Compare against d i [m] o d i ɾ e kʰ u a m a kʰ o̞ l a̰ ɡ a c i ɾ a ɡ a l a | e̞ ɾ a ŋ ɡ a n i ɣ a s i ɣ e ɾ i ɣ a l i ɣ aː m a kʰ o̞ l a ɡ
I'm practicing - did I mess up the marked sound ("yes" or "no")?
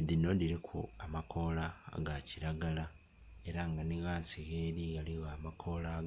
yes